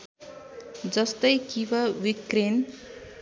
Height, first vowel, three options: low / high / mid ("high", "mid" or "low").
mid